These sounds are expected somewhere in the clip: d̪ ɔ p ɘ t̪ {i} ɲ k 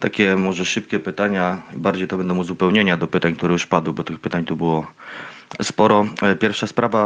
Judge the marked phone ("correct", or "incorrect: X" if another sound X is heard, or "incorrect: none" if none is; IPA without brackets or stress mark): incorrect: a